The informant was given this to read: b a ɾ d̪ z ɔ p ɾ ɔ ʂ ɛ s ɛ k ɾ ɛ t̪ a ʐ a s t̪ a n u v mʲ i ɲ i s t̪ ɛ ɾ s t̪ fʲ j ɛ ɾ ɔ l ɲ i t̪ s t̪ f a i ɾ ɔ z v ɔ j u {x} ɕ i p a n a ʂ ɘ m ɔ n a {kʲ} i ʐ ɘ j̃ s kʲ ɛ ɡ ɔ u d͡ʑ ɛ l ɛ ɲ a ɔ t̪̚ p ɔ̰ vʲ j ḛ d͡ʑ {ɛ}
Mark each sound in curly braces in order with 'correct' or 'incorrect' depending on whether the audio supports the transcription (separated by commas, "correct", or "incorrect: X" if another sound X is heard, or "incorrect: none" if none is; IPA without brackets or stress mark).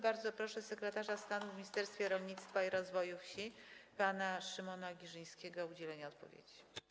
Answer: incorrect: f, incorrect: ɡʲ, incorrect: i